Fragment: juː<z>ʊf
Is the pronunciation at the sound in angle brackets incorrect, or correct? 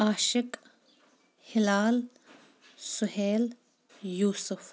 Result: incorrect